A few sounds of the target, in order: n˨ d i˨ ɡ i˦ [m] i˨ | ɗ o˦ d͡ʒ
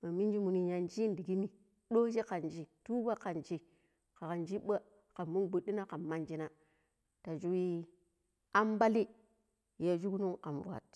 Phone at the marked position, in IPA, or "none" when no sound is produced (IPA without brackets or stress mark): n